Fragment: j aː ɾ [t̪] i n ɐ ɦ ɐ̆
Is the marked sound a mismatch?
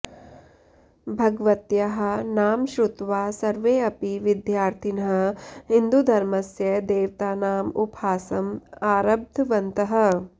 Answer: yes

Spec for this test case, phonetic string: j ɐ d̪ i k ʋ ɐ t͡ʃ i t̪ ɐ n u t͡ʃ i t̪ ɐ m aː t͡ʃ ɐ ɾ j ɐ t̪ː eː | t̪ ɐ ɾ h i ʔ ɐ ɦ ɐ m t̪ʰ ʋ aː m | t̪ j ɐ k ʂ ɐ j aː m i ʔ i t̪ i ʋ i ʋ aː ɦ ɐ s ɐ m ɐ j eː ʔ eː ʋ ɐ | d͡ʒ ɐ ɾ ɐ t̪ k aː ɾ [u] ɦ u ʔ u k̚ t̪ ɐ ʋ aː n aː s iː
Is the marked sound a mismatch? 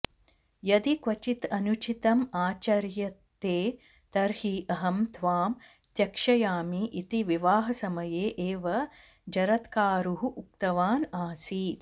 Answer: no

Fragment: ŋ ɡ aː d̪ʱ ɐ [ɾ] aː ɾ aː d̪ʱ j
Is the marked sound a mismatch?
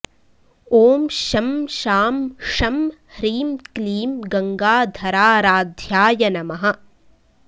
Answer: no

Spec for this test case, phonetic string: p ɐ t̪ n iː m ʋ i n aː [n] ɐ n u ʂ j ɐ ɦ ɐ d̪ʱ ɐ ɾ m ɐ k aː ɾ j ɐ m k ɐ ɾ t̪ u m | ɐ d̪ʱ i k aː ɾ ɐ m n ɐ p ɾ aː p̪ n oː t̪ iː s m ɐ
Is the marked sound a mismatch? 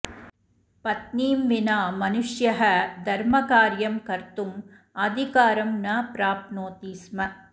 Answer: yes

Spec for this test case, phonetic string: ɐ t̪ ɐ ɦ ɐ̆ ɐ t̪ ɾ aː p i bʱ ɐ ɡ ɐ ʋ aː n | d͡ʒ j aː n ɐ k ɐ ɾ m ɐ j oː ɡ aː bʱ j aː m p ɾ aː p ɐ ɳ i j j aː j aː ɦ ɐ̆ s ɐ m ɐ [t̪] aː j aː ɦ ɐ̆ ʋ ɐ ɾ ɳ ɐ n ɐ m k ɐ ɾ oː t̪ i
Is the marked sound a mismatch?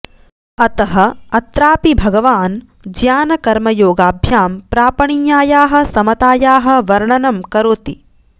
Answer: no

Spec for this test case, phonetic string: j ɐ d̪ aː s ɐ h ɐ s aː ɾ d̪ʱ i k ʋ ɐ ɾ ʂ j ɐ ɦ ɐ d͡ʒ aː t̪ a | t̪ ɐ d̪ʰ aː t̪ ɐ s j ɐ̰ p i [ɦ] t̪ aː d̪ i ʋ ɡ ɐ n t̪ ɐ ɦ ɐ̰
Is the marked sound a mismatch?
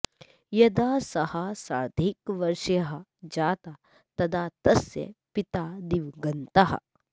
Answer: yes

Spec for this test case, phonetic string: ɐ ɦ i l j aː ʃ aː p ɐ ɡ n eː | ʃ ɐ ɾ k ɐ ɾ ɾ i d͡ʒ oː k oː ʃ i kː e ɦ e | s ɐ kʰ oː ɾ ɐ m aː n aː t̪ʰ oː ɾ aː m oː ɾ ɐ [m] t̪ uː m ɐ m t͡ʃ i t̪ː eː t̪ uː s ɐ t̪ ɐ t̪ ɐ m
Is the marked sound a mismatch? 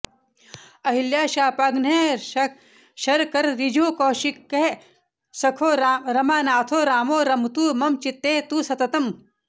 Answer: no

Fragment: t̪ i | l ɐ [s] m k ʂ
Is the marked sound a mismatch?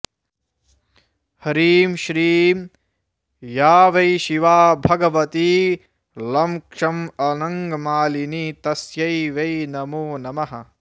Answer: yes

